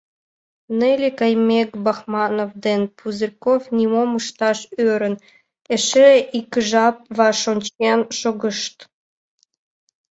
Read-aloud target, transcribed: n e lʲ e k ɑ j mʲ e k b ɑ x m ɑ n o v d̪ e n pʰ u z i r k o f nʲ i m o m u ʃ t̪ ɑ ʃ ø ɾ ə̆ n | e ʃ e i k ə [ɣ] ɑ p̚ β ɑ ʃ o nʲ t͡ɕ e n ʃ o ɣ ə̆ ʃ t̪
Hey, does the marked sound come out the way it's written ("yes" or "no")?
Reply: no